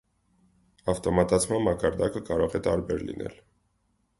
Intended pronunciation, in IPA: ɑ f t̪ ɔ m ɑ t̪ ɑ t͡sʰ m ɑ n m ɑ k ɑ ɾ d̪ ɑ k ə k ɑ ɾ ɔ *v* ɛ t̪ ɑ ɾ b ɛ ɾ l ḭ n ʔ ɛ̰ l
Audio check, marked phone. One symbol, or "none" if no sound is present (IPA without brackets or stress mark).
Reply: ʁ